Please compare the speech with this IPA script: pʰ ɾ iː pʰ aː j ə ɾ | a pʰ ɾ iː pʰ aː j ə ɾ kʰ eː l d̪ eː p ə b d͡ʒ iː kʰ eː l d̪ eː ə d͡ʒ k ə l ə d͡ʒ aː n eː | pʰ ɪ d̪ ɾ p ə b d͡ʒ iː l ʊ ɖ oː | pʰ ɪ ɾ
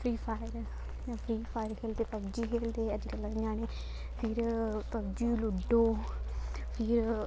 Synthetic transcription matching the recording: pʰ ɾ iː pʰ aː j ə ɾ | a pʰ ɾ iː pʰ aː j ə ɾ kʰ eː l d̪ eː p ə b d͡ʒ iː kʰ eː l d̪ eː ə d͡ʒ k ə l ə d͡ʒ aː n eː | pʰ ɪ ɾ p ə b d͡ʒ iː l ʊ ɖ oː | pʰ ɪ ɾ